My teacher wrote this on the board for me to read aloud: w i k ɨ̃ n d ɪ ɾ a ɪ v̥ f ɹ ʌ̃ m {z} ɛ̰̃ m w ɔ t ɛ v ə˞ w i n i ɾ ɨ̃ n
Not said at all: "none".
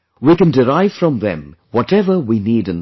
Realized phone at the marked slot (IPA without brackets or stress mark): ð